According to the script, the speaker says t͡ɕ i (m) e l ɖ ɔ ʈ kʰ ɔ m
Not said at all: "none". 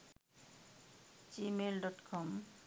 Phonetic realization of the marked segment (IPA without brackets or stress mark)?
m